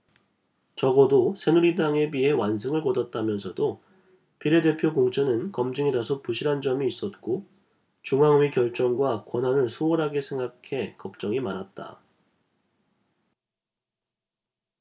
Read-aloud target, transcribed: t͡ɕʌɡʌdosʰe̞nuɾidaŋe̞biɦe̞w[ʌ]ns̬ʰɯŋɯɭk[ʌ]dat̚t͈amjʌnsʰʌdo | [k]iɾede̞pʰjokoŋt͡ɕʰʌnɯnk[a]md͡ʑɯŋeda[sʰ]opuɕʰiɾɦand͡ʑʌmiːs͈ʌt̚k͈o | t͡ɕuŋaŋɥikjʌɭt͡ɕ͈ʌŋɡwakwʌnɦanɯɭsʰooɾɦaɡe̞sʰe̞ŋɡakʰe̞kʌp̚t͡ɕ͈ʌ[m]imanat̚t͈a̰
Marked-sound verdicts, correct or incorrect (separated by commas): incorrect, correct, incorrect, incorrect, correct, incorrect